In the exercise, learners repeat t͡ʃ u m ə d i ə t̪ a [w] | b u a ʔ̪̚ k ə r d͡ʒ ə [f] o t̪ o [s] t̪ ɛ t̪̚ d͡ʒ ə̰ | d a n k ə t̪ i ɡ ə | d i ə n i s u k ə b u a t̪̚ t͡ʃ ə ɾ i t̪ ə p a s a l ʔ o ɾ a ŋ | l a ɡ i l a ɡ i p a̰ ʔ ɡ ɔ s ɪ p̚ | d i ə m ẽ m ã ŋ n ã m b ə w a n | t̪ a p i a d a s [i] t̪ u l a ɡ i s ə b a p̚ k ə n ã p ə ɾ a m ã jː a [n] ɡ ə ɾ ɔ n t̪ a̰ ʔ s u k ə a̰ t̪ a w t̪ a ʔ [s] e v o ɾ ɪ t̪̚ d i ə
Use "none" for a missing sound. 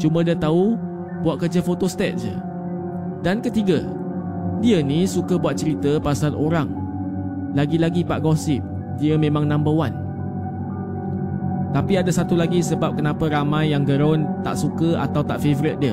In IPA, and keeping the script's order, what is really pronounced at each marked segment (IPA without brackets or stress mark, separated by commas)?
u, f, s, a, ŋ, f